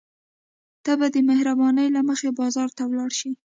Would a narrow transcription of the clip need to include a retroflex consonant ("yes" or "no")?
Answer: yes